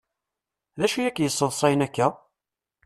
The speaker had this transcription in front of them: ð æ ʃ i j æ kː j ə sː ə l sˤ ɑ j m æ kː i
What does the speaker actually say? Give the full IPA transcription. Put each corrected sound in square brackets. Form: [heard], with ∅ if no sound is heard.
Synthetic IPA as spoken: ð æ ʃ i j æ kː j ə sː ə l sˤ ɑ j [n] æ kː [æ]